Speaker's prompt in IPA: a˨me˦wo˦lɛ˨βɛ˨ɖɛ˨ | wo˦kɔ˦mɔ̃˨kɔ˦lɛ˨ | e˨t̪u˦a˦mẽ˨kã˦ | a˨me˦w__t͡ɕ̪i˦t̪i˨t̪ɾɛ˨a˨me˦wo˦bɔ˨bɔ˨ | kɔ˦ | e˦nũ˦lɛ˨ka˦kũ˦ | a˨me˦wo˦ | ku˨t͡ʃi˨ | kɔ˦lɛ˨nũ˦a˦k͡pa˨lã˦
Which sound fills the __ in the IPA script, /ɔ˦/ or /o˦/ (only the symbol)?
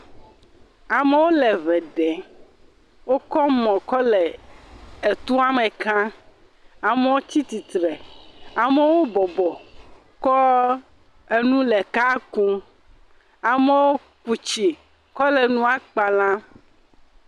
o˦